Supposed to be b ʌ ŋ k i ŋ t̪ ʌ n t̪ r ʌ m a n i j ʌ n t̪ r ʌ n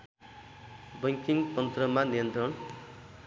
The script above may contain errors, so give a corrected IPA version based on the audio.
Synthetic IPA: b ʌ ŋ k i ŋ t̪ ʌ n t̪ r ʌ m a n i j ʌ n t̪ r ʌ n